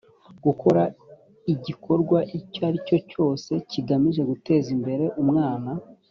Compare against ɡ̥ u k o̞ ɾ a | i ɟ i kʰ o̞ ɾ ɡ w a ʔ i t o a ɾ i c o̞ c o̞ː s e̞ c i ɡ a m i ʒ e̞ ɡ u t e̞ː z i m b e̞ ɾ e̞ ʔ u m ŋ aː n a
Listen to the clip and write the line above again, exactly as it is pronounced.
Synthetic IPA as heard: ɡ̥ u k o̞ ɾ a | i ɟ i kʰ o̞ ɾ ɡ w a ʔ i c o a ɾ i c o̞ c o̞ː s e̞ c i ɡ a m i ʒ e̞ ɡ u t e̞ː z i m b e̞ ɾ e̞ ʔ u m ŋ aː n a